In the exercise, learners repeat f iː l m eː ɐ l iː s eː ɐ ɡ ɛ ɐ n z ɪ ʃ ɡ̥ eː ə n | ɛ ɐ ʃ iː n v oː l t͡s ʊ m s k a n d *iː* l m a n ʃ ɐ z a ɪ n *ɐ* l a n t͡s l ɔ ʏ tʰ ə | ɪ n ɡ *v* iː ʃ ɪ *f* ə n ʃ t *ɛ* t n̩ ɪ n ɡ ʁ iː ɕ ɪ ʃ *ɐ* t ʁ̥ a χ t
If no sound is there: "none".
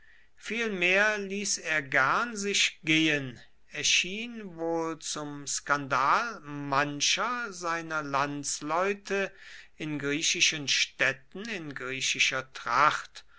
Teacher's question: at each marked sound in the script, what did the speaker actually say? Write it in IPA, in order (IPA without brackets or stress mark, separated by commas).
aː, ɐ, ʁ, ʃ, ɛ, ɐ